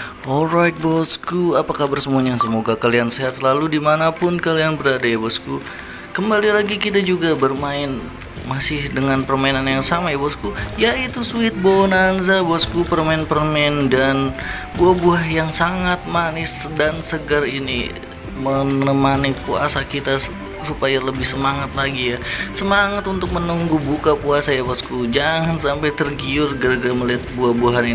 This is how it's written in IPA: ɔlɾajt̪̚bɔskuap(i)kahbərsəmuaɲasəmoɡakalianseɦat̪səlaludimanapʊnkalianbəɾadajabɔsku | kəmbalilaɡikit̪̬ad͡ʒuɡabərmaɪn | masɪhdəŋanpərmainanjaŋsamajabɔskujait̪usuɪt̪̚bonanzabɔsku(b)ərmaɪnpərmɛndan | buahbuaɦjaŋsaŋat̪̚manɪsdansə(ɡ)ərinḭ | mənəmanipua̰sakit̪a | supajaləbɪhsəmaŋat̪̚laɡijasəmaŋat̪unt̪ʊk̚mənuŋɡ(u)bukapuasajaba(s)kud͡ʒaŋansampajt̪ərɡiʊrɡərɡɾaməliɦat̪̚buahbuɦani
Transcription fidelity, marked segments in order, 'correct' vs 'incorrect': incorrect: a, incorrect: p, correct, correct, correct

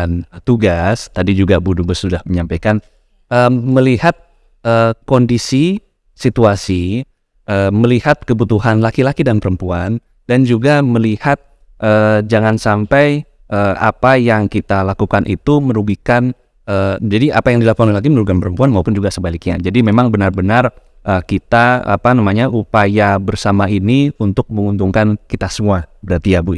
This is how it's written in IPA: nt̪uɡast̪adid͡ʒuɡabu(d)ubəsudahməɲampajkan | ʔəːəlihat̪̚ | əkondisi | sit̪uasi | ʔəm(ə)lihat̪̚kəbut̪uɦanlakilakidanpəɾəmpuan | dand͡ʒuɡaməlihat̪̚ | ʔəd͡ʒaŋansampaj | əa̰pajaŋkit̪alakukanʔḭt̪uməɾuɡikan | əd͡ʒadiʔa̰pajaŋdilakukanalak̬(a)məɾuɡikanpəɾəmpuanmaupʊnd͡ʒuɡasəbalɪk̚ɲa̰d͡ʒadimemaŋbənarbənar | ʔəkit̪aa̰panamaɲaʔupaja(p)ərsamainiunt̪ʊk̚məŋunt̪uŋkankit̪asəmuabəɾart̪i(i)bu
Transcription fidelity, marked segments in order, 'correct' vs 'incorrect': correct, correct, incorrect: i, incorrect: b, incorrect: a

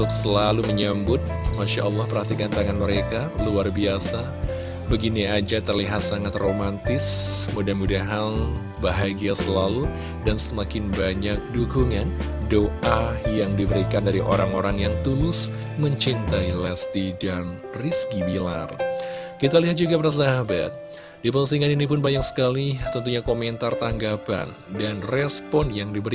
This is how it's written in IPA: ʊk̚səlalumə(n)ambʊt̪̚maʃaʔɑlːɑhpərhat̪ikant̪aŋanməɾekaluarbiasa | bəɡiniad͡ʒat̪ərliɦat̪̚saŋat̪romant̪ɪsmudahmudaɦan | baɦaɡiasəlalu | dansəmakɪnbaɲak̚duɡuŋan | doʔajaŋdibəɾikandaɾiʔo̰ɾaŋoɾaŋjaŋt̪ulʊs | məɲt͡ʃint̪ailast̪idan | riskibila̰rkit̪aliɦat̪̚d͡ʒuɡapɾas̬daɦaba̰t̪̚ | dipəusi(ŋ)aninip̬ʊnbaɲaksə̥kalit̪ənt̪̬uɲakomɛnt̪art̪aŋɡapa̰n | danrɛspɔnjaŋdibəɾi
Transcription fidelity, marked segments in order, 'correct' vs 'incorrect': incorrect: ɲ, correct

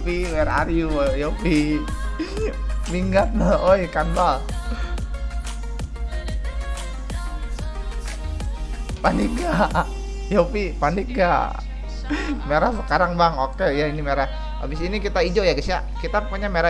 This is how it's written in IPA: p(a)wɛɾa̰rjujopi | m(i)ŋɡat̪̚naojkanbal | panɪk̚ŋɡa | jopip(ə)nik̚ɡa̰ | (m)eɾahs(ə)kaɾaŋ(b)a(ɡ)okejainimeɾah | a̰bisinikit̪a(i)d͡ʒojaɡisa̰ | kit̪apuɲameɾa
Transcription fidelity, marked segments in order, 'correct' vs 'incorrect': incorrect: i, correct, incorrect: a, correct, correct, correct, incorrect: ŋ, correct

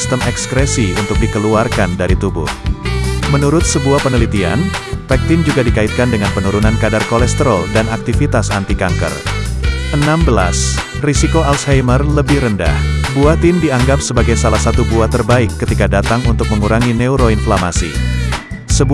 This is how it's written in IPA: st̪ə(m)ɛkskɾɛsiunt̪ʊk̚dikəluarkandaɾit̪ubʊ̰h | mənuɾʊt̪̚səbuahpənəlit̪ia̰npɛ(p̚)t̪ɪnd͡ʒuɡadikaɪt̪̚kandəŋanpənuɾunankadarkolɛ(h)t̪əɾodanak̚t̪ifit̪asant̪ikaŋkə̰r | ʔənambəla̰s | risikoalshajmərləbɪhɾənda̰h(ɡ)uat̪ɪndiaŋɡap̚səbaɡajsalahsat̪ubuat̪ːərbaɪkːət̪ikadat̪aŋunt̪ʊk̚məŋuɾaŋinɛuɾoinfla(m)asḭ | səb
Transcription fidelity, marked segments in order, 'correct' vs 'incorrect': correct, incorrect: k̚, incorrect: s, incorrect: b, correct

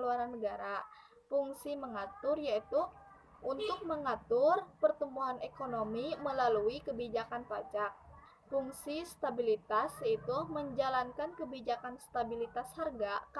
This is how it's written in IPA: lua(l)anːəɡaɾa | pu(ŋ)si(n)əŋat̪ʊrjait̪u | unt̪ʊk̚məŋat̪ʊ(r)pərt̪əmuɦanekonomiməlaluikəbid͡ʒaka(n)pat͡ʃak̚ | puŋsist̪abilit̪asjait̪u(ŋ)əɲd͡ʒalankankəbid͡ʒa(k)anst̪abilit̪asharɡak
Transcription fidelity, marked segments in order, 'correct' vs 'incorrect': incorrect: ɾ, correct, incorrect: m, correct, correct, incorrect: m, correct

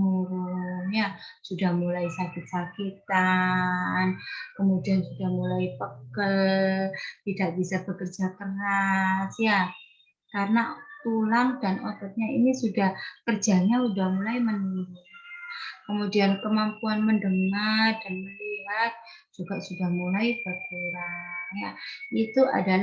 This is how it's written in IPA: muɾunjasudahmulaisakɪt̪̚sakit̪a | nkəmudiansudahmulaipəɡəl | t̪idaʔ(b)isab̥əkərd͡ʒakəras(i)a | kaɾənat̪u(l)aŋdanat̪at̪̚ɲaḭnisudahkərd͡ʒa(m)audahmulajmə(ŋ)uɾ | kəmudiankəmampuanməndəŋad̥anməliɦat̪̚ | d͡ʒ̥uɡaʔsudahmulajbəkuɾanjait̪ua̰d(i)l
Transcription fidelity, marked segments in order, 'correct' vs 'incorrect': correct, incorrect: j, correct, incorrect: ɲ, incorrect: n, incorrect: a

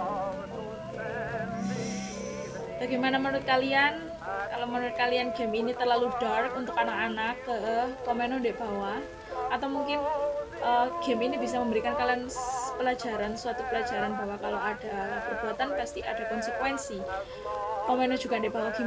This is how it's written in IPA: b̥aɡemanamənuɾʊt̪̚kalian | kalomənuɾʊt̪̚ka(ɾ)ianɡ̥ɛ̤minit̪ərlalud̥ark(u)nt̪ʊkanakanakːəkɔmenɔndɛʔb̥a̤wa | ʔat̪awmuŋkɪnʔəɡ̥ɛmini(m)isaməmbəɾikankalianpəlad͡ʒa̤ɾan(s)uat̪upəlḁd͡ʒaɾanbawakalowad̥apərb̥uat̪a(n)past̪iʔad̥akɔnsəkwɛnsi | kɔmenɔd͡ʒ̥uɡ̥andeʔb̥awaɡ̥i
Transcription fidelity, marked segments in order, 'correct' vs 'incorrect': incorrect: l, correct, incorrect: b, correct, correct

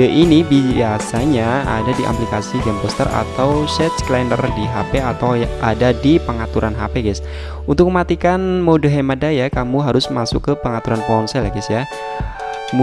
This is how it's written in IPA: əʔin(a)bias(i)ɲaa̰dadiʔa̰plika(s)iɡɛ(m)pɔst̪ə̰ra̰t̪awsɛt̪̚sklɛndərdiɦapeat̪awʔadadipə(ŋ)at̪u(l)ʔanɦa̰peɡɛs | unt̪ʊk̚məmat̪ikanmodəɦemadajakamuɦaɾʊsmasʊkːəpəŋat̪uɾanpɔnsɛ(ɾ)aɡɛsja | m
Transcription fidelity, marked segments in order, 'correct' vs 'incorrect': incorrect: i, incorrect: a, correct, correct, correct, incorrect: ɾ, incorrect: l

